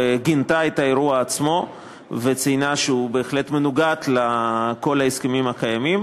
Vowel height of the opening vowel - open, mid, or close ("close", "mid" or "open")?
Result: close